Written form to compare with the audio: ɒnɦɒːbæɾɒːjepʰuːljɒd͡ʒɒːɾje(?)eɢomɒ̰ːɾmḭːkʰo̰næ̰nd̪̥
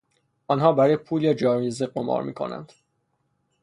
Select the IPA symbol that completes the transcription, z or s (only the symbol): z